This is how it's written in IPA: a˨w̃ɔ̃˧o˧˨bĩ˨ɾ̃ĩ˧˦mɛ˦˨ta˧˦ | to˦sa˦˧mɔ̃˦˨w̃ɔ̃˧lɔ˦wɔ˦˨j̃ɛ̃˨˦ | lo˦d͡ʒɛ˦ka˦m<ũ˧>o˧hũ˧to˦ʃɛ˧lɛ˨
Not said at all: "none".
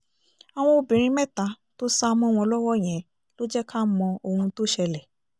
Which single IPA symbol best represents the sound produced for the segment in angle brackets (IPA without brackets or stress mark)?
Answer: ɔ̃˧